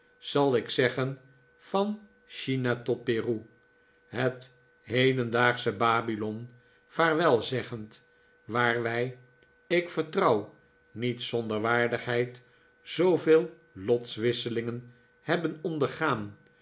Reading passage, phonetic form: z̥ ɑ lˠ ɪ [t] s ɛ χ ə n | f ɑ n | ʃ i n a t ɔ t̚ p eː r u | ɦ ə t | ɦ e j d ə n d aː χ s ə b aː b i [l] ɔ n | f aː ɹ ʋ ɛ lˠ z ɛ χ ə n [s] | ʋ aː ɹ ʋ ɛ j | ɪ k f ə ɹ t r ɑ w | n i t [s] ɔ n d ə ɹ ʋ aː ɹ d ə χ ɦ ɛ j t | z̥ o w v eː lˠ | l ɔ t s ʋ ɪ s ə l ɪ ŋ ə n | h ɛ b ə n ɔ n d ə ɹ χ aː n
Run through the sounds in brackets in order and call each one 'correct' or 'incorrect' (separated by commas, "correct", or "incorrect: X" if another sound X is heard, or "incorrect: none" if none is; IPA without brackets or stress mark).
incorrect: k, correct, incorrect: t, correct